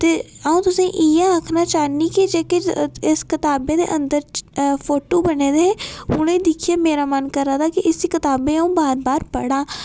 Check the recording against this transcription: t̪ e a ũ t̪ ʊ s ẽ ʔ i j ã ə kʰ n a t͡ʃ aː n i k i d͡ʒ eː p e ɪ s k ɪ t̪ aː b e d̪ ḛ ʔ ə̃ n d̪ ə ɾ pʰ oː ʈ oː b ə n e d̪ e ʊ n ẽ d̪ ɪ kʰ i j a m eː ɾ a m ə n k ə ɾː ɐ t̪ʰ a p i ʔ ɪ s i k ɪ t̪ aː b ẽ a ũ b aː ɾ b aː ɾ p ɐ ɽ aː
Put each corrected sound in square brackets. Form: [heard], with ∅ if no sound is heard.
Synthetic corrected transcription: t̪ e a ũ t̪ ʊ s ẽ ʔ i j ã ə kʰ n a t͡ʃ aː n i k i d͡ʒ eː [k] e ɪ s k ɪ t̪ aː b e d̪ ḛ ʔ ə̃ n d̪ ə ɾ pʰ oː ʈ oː b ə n e d̪ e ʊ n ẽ d̪ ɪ kʰ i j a m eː ɾ a m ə n k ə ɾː [a] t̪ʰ a [k] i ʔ ɪ s i k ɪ t̪ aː b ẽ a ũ b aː ɾ b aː ɾ p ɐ ɽ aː